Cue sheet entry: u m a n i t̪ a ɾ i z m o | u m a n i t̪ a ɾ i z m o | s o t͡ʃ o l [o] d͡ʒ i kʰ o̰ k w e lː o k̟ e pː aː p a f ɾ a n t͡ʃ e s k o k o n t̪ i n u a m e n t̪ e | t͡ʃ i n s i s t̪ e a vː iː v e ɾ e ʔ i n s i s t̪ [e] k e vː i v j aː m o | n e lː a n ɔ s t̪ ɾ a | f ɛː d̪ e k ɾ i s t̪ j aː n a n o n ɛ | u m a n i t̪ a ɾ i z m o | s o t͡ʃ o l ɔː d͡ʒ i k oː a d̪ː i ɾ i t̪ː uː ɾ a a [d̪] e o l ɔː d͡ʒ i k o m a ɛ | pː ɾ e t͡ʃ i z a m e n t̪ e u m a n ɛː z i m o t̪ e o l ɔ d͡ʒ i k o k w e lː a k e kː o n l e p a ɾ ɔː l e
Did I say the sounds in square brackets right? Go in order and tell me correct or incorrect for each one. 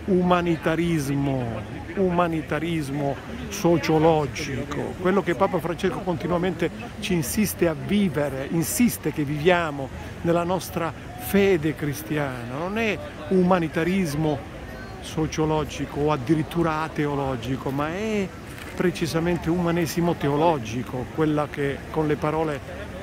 incorrect: ɔ, correct, incorrect: t̪

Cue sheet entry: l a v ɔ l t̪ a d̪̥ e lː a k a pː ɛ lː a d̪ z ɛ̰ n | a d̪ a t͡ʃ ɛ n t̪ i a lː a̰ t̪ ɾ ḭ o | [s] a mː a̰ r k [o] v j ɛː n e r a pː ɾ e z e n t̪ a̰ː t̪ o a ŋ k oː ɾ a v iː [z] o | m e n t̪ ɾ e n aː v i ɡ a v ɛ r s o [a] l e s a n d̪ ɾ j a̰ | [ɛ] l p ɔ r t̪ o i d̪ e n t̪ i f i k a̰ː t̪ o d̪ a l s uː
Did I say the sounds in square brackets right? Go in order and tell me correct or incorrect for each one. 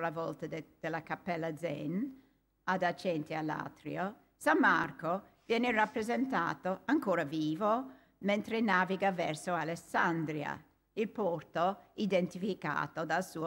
correct, correct, incorrect: v, correct, incorrect: i

